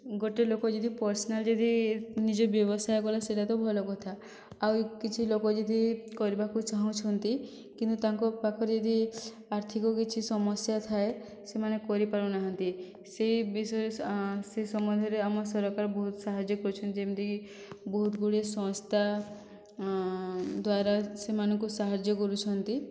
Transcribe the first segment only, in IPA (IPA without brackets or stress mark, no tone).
ɡ